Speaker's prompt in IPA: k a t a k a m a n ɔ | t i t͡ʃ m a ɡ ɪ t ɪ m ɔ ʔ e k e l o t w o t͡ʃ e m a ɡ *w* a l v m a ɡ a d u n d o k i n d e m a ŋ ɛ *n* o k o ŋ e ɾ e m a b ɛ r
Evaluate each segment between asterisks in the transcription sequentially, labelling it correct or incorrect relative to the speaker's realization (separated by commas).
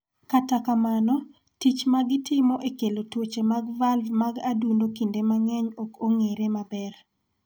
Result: incorrect, incorrect